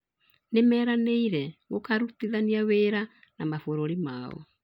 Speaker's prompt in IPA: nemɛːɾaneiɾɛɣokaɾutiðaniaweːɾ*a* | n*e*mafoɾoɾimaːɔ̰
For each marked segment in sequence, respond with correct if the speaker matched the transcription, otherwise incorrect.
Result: correct, incorrect

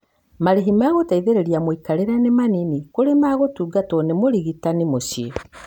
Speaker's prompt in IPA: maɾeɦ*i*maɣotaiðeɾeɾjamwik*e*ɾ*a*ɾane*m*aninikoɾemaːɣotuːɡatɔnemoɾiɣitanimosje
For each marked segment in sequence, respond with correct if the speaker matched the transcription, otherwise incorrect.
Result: correct, incorrect, incorrect, correct

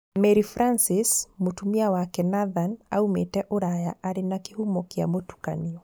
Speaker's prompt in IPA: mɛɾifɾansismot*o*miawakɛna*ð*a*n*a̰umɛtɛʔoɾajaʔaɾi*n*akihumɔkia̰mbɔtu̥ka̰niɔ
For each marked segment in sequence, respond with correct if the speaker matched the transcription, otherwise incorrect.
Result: incorrect, correct, correct, correct

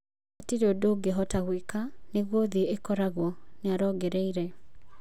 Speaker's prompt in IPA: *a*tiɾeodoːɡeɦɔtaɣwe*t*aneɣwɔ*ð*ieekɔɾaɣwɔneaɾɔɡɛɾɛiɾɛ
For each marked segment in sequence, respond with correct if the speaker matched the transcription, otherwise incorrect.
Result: correct, incorrect, correct

